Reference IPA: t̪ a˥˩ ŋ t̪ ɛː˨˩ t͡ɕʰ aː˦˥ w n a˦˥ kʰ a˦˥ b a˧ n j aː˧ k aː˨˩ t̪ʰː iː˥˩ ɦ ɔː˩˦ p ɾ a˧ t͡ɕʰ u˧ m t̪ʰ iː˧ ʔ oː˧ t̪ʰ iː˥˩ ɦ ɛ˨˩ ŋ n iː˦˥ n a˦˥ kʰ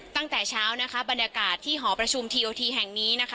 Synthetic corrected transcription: t̪ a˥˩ ŋ t̪ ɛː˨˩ t͡ɕʰ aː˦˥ w n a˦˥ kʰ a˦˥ b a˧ n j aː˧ k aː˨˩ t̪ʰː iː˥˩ ɦ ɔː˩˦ p ɾ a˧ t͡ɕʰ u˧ m t̪ʰ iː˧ ʔ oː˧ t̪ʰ iː˧ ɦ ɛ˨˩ ŋ n iː˦˥ n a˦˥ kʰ

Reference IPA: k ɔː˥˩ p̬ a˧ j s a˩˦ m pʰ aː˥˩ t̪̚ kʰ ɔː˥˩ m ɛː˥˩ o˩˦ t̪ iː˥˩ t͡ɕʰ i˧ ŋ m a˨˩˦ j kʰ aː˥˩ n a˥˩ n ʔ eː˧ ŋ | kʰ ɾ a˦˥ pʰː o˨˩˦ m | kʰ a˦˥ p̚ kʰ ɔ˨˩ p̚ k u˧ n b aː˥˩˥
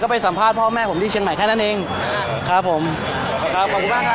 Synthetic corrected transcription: k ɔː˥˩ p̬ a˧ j s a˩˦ m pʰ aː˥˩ t̪̚ pʰ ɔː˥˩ m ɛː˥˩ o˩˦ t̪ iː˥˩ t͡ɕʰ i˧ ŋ m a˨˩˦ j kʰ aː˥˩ n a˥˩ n ʔ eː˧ ŋ | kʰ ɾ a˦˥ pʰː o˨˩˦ m | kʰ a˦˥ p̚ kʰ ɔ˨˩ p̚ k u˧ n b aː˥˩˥

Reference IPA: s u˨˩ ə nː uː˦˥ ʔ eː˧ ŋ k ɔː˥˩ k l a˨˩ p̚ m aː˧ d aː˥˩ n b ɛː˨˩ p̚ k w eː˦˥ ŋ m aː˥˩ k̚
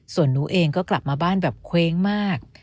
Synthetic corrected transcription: s u˨˩ ə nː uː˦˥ ʔ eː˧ ŋ k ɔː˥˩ k l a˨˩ p̚ m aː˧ b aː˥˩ n b ɛː˨˩ p̚ kʰ w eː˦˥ ŋ m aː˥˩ k̚

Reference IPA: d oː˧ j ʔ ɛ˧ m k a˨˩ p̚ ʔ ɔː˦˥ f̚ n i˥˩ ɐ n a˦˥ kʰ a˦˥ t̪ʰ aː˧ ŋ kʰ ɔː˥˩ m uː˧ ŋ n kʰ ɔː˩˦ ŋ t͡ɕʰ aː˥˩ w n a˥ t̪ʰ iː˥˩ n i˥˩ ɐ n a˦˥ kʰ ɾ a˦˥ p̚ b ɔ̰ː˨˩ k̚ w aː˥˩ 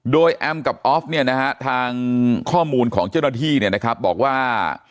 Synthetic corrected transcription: d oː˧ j ʔ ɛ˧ m k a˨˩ p̚ ʔ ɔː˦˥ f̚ n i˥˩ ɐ n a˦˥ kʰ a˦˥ t̪ʰ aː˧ ŋ kʰ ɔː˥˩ m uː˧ n kʰ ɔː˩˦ ŋ t͡ɕ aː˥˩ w n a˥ t̪ʰ iː˥˩ n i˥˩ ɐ n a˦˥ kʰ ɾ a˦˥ p̚ b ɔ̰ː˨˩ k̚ w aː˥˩

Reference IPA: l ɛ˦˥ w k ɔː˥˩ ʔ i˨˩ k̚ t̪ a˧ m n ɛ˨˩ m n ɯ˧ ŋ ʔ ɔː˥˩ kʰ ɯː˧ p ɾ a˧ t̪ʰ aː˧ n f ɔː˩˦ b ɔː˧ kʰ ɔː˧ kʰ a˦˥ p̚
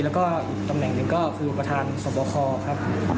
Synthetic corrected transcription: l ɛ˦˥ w k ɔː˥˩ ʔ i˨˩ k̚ t̪ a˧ m n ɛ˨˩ ŋ n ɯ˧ ŋ k ɔː˥˩ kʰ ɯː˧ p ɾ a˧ t̪ʰ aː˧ n s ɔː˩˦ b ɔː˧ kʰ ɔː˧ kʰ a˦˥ p̚

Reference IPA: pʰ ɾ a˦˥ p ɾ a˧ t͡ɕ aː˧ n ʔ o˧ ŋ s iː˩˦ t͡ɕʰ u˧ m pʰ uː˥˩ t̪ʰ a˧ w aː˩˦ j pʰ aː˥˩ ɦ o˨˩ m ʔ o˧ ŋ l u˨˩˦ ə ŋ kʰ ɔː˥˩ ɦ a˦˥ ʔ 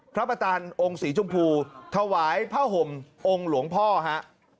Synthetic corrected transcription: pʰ ɾ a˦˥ p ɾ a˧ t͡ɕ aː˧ n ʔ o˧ ŋ s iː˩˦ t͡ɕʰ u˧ m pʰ uː˧ t̪ʰ a˧ w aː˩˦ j pʰ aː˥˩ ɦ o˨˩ m ʔ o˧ ŋ l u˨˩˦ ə ŋ pʰ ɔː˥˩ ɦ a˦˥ ʔ

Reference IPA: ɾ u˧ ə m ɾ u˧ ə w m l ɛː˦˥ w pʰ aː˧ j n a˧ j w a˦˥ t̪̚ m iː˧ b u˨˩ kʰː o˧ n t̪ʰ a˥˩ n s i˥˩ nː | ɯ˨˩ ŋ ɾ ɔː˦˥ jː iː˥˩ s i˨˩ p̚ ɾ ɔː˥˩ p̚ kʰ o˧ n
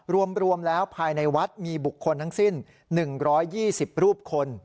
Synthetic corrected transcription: ɾ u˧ ə m ɾ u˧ ə m l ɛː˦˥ w pʰ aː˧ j n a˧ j w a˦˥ t̪̚ m iː˧ b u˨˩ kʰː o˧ n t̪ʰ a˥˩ ŋ s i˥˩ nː | ɯ˨˩ ŋ ɾ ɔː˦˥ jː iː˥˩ s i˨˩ p̚ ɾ uː˥˩ p̚ kʰ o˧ n

